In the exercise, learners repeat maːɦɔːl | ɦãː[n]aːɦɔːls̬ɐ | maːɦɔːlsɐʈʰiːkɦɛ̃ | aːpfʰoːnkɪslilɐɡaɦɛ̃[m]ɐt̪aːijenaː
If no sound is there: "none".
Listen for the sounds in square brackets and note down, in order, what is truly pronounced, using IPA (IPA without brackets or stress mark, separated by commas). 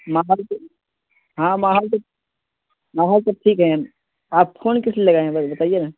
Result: m, b